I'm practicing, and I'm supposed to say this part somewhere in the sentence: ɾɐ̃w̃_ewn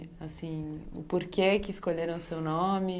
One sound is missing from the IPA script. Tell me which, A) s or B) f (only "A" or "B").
A